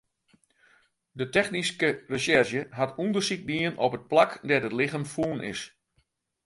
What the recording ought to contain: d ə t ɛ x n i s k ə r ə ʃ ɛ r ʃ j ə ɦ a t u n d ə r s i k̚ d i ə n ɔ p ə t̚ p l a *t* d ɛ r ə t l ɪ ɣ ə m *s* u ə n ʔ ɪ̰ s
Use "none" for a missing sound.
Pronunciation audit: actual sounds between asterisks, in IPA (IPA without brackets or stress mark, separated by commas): k, f